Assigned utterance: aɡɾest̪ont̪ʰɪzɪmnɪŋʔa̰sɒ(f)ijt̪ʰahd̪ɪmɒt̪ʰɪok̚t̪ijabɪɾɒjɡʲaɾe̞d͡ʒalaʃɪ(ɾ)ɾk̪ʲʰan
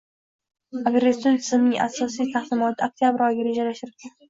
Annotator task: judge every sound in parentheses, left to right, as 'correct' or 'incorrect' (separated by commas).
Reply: incorrect, correct